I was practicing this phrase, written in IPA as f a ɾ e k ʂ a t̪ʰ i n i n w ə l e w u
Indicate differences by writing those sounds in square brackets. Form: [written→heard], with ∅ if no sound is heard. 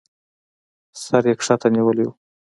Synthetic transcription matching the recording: [f→s] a ɾ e k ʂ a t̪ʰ [i→a] n i [n→∅] w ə l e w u